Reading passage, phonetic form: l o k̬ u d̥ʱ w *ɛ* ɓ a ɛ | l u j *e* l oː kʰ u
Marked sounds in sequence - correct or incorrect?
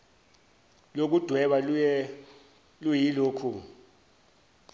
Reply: correct, incorrect

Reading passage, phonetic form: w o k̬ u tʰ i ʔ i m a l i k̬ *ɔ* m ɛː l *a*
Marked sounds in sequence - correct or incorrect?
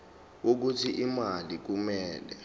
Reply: incorrect, incorrect

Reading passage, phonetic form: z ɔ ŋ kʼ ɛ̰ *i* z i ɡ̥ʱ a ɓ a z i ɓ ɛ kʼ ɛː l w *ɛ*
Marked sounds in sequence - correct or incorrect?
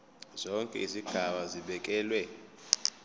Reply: correct, correct

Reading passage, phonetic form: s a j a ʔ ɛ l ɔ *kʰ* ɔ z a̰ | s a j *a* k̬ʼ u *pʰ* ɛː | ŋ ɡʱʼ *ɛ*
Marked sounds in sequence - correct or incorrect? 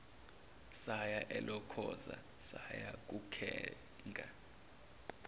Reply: correct, correct, incorrect, incorrect

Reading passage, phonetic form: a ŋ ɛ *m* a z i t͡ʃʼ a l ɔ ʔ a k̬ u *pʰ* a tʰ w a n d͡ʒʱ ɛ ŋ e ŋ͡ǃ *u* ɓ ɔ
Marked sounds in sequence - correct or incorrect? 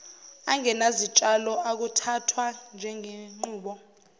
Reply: incorrect, incorrect, incorrect

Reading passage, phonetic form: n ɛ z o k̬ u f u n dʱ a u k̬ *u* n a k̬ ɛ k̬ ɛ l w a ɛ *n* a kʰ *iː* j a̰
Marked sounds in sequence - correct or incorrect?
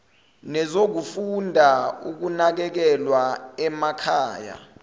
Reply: correct, incorrect, incorrect

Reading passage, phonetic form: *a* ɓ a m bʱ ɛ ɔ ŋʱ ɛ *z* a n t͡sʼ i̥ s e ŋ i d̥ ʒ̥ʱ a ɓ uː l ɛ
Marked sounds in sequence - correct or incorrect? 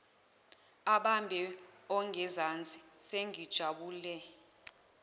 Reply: correct, correct

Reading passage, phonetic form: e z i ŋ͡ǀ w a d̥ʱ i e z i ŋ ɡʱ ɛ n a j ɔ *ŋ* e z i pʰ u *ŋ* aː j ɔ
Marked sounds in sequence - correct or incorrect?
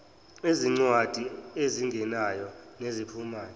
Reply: incorrect, incorrect

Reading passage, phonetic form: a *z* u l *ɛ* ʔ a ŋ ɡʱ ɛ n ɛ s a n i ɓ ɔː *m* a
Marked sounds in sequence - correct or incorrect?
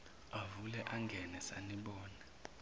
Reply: incorrect, correct, incorrect

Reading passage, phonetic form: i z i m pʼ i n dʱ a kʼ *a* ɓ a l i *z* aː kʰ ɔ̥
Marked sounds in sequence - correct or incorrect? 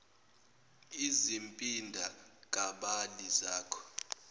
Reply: correct, correct

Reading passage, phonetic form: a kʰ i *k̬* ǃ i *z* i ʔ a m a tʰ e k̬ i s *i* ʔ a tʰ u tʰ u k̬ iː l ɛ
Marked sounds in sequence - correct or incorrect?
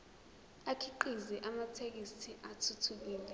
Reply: incorrect, correct, correct

